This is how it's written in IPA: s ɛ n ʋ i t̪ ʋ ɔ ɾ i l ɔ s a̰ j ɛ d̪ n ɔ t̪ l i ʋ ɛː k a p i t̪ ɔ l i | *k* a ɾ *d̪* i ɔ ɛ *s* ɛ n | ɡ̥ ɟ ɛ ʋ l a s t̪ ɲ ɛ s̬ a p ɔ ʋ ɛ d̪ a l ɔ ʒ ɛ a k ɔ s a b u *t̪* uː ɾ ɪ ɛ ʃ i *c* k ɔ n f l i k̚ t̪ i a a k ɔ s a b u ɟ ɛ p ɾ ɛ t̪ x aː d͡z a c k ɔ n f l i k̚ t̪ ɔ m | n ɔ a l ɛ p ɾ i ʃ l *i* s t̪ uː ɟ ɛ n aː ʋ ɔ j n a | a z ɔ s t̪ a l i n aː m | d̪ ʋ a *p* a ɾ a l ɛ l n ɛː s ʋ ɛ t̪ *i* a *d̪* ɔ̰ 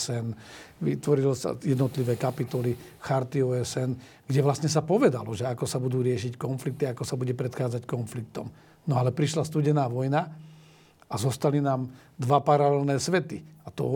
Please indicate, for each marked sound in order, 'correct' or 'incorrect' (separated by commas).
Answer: incorrect, incorrect, correct, incorrect, correct, incorrect, correct, correct, incorrect